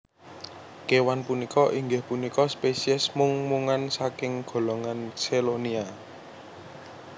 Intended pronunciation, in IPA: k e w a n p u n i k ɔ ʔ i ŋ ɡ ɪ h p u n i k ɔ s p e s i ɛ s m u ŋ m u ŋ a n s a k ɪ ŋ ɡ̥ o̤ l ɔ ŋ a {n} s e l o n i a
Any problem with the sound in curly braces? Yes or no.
no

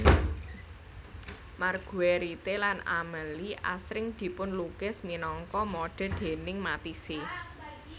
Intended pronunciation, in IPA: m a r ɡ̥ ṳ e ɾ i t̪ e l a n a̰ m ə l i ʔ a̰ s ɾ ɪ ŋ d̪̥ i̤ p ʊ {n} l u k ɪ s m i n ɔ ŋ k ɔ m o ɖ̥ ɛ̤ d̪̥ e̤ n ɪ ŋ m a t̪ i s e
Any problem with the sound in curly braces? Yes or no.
no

